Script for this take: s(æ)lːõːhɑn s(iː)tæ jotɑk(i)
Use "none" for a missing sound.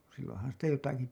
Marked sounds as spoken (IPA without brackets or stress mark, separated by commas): i, i, i